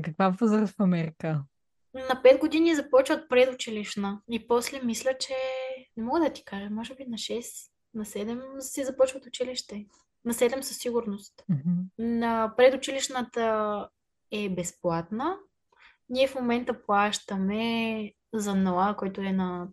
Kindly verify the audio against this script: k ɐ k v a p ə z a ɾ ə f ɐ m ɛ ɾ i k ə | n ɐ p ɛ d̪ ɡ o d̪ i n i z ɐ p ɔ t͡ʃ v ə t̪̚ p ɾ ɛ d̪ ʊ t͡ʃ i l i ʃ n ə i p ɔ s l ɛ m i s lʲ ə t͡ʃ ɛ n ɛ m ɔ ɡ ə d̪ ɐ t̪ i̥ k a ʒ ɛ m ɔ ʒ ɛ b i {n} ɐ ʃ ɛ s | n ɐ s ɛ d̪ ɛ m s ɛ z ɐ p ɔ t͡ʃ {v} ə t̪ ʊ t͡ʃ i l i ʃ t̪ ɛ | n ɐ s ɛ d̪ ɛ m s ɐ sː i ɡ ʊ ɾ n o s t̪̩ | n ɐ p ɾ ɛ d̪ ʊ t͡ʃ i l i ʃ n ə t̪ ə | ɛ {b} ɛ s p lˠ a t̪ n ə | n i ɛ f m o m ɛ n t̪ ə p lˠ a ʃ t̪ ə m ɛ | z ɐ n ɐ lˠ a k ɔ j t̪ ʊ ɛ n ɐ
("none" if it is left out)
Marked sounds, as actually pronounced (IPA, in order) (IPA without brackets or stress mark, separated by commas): n, v, b